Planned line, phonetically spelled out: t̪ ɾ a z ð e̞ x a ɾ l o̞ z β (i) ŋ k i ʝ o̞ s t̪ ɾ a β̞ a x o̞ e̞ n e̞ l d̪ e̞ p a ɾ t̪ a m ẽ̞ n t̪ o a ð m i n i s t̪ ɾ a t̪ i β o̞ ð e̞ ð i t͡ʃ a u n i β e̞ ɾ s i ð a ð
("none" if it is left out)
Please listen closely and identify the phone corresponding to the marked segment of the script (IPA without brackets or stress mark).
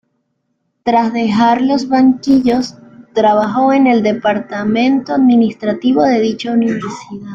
a